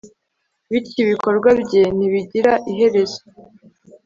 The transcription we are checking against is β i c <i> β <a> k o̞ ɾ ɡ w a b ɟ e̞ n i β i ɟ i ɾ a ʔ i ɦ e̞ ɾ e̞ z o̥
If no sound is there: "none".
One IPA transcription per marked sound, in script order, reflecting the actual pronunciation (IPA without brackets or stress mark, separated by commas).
i, i